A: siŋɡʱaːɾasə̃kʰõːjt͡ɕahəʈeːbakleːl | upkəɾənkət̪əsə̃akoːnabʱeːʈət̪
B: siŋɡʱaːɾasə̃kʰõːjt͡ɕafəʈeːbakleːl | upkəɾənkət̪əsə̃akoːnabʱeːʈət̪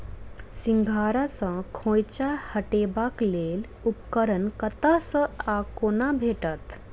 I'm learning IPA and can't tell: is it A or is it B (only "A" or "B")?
A